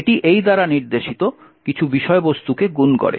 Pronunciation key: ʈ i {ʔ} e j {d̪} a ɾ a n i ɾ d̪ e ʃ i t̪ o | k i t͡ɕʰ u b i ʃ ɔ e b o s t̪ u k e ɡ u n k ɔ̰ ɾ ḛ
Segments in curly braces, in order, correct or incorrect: correct, correct

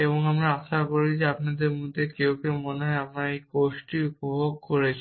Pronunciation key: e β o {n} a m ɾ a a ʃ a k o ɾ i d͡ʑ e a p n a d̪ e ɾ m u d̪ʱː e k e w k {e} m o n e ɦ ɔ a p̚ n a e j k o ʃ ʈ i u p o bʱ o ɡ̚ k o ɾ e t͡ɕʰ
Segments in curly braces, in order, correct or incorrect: incorrect, correct

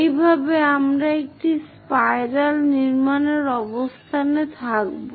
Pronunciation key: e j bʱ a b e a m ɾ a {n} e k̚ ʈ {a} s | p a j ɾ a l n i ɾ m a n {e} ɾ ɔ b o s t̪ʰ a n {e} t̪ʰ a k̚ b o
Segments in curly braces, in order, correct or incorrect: incorrect, incorrect, correct, correct

